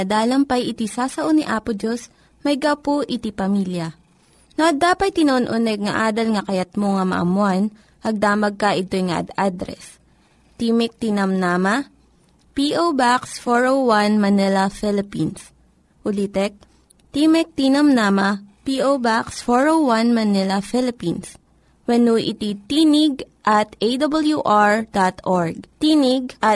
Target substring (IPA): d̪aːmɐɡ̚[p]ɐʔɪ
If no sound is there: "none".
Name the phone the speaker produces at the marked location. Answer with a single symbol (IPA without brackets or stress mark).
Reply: k